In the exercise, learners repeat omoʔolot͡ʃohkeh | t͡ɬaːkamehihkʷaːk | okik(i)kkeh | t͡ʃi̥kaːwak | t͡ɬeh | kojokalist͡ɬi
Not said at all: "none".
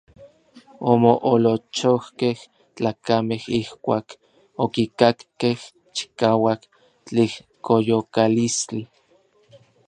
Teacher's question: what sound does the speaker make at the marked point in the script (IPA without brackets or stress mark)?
a